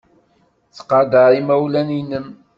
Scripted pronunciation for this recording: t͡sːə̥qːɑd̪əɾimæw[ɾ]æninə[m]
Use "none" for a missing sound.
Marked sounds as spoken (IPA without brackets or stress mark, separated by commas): l, m